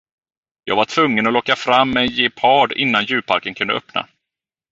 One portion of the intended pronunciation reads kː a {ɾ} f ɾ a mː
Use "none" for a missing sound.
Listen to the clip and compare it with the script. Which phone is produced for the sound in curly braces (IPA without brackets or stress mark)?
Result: none